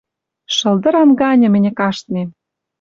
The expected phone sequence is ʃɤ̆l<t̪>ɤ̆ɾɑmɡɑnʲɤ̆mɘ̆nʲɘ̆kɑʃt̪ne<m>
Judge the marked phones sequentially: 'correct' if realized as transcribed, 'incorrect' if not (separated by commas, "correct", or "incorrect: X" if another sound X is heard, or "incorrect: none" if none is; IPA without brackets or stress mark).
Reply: incorrect: d̪, correct